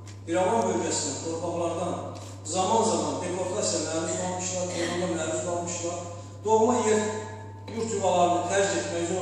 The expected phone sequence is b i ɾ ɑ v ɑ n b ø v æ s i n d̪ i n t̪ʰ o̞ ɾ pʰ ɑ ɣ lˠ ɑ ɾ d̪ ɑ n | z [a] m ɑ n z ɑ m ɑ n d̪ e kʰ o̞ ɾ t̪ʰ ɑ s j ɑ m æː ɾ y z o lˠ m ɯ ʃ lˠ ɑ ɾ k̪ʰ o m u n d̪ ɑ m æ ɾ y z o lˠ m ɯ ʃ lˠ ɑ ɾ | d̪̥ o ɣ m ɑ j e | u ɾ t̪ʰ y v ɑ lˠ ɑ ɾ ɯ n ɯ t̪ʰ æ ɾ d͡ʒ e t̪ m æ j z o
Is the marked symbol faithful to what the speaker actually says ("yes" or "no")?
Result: no